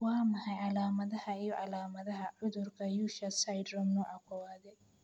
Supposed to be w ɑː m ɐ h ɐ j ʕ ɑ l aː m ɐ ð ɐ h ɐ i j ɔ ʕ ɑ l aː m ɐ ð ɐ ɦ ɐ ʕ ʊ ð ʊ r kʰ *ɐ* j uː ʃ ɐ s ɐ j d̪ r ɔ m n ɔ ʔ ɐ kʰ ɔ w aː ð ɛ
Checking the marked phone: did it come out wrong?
no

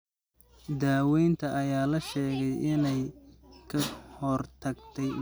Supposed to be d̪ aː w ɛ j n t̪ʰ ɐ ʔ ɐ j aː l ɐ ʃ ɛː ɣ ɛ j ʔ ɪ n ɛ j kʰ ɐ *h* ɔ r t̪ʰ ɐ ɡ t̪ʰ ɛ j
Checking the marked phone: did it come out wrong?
no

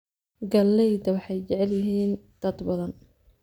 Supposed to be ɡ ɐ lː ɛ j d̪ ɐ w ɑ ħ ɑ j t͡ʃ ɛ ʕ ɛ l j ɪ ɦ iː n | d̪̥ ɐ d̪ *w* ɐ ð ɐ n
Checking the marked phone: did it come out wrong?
yes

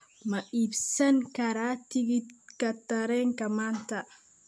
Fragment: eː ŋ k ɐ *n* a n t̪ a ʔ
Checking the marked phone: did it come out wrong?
yes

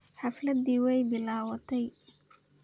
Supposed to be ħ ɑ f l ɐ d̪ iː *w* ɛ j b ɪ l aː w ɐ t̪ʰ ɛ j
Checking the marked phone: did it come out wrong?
no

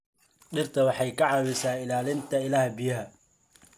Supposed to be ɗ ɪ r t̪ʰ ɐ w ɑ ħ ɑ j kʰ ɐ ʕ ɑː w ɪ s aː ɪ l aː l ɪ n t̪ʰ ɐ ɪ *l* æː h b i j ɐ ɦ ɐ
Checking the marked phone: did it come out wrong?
no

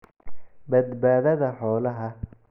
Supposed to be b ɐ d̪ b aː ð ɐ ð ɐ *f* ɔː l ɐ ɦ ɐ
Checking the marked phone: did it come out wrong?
yes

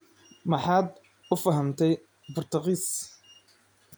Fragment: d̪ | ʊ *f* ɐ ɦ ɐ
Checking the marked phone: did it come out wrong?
no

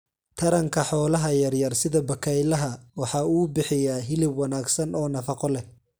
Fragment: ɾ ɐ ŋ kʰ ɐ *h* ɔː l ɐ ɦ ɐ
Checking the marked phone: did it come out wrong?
yes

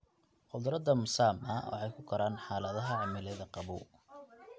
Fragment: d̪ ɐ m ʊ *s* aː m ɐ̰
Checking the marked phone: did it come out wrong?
no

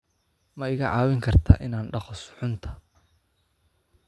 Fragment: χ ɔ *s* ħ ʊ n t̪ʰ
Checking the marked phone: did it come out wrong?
no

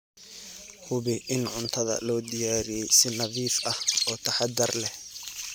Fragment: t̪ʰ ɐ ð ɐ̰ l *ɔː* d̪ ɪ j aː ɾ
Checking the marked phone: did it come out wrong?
no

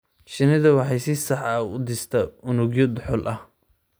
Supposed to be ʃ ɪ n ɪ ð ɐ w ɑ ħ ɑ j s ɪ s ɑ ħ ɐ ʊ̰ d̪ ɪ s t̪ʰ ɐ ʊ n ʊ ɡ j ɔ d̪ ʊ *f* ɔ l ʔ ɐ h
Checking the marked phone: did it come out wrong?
yes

